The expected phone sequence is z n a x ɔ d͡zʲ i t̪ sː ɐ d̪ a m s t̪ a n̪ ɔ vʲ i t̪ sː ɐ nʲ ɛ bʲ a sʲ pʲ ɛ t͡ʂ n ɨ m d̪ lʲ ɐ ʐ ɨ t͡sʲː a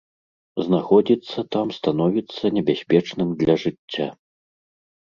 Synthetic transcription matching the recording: z n a x ɔ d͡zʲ i t̪ sː ɐ t̪ a m s t̪ a n̪ ɔ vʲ i t̪ sː ɐ nʲ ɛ bʲ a sʲ pʲ ɛ t͡ʂ n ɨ m d̪ lʲ ɐ ʐ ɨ t͡sʲː a